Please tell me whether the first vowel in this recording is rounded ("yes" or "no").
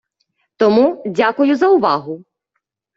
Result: yes